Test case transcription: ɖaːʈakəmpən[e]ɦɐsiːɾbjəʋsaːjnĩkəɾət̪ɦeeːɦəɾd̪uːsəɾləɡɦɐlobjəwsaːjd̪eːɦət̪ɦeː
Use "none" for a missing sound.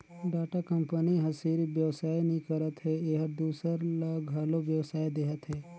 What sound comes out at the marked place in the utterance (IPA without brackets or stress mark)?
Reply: i